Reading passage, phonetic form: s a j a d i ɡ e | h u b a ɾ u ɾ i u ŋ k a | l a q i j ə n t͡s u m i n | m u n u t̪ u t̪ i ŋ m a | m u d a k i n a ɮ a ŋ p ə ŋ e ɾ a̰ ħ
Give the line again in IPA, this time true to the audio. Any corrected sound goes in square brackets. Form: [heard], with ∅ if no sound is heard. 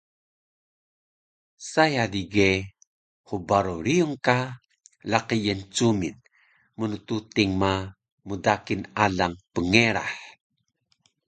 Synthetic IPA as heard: s a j a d i ɡ e | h u b a ɾ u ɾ i u ŋ k a | l a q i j ə n t͡s u m i n | m u n u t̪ u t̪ i ŋ m a | m u d a k i n a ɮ a ŋ p ə ŋ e ɾ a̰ ħ

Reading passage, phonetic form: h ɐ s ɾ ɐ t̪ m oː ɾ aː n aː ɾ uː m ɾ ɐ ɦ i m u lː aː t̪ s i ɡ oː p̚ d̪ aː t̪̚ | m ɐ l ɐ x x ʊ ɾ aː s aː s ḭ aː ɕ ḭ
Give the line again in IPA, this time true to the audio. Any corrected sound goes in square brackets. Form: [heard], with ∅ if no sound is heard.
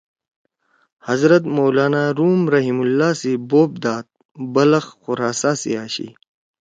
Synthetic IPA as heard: h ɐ [z] ɾ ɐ t̪ m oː [l] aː n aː ɾ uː m ɾ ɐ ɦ i m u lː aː [∅] s i [b] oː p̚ d̪ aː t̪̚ | [b] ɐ l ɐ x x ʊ ɾ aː s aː s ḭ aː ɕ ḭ

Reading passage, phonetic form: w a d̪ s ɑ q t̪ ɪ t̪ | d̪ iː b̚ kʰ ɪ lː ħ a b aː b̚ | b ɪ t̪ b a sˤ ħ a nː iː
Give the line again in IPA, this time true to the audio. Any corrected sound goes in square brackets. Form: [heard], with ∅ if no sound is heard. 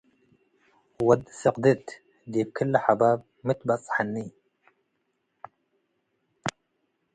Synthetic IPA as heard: w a d̪ s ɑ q [d̪] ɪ t̪ | d̪ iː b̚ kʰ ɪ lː ħ a b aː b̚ | [m] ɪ t̪ b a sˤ ħ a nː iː

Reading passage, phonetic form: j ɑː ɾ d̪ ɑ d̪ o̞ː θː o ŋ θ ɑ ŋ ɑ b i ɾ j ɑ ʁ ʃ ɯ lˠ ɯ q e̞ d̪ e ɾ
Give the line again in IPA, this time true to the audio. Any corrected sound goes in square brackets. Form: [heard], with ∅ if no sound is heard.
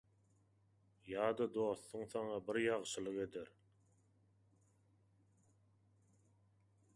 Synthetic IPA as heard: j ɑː [∅] d̪ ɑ d̪ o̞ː θː [u] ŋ θ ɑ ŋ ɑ b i ɾ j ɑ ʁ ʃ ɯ lˠ ɯ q e̞ d̪ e ɾ

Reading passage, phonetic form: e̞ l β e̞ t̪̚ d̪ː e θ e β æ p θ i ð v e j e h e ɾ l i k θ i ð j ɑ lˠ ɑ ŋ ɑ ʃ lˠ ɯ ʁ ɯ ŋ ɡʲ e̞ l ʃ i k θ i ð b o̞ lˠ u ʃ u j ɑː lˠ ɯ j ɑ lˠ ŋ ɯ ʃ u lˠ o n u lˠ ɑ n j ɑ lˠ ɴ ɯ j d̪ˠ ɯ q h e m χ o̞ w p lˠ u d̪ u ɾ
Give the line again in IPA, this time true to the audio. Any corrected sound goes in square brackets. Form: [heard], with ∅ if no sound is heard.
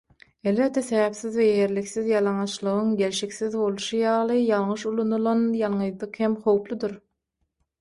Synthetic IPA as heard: e̞ l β e̞ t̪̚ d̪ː e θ e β æ p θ i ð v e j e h e ɾ l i k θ i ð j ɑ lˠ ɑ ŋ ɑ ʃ lˠ ɯ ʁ ɯ ŋ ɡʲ e̞ l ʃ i k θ i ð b o̞ lˠ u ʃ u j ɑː lˠ ɯ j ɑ lˠ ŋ ɯ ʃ u lˠ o n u lˠ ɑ n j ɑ lˠ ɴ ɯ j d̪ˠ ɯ q h e m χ o̞ w p lˠ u d̪ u ɾ

